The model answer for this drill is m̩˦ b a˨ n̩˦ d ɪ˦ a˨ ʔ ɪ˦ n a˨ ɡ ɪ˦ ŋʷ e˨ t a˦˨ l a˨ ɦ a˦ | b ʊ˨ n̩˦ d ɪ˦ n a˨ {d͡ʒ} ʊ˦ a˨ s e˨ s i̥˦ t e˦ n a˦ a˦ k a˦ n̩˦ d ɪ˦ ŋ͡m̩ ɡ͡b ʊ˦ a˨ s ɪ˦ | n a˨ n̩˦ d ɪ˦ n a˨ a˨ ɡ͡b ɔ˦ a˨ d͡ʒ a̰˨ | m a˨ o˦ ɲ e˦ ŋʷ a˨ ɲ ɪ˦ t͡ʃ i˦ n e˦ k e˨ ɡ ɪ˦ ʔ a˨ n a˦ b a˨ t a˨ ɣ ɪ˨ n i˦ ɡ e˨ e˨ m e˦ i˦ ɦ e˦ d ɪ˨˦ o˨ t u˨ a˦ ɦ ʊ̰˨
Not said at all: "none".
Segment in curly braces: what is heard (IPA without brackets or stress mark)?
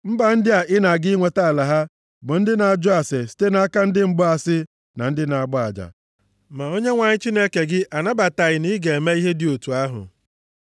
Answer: d͡ʒ